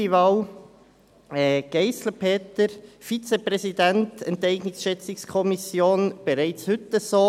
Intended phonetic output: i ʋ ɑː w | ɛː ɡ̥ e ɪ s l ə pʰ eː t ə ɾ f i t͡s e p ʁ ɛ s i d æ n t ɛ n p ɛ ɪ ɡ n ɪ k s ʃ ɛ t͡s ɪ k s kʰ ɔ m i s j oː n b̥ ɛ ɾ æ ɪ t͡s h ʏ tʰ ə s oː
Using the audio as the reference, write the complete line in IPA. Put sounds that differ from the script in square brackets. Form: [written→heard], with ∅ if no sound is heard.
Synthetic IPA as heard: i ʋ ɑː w | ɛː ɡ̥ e ɪ s l ə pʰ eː t ə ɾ f i t͡s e p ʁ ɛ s i d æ n t ɛ n [p→t] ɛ ɪ ɡ n ɪ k s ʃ ɛ t͡s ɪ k s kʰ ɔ m i s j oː n b̥ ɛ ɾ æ ɪ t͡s h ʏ [tʰ→t] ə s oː